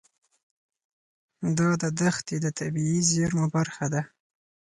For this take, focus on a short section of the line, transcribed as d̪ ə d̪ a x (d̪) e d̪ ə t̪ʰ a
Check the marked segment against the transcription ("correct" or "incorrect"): incorrect